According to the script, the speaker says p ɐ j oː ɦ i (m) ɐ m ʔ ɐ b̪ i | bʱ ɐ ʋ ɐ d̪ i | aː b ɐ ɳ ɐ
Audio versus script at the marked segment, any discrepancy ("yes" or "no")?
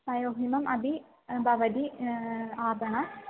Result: no